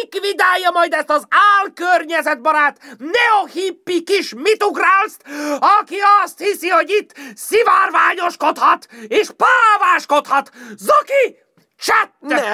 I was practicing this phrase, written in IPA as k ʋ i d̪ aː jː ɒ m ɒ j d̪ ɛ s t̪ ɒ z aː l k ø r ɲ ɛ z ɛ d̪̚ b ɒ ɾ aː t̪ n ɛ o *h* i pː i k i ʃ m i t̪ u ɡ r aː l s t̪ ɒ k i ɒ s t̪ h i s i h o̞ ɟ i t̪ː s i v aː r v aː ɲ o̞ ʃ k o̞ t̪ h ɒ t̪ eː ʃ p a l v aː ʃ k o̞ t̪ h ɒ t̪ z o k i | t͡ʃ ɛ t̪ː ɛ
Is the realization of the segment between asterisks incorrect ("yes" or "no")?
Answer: no